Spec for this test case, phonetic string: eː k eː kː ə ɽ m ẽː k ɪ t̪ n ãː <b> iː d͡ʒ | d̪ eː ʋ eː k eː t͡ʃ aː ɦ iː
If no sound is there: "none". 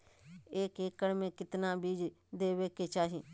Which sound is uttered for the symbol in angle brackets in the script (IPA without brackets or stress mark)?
b